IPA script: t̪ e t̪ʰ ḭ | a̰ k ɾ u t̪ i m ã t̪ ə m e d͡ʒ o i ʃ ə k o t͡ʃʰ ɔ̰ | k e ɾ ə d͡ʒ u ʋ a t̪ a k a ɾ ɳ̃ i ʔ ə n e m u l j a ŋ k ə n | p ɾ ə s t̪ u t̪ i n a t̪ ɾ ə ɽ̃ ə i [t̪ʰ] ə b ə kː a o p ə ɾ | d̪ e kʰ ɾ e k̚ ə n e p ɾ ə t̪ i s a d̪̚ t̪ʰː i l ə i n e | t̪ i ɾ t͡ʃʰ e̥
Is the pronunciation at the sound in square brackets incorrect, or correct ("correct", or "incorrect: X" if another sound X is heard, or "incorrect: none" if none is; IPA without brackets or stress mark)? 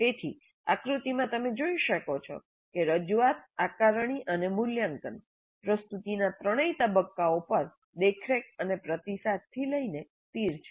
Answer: incorrect: t̪